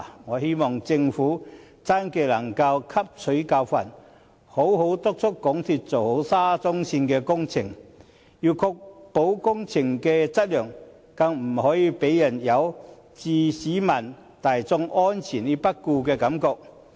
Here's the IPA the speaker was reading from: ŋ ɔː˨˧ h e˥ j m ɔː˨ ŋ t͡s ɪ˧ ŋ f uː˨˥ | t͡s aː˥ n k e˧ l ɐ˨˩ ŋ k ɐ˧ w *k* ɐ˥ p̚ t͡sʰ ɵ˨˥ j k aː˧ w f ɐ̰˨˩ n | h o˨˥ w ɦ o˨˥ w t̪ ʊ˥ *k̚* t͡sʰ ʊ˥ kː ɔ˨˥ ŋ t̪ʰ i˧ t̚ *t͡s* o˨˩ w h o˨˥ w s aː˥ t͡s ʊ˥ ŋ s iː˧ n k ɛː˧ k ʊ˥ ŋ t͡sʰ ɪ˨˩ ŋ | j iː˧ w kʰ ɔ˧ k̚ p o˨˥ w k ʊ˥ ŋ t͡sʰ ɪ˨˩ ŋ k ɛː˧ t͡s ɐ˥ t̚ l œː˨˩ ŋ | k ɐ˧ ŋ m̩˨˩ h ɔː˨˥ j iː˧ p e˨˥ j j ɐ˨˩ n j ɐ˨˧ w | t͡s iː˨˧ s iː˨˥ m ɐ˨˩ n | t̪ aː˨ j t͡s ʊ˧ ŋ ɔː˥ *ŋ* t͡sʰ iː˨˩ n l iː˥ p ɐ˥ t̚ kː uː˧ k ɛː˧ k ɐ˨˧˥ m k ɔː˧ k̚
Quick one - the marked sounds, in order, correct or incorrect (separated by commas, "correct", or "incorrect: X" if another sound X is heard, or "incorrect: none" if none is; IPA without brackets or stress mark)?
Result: incorrect: kʰ, correct, correct, incorrect: n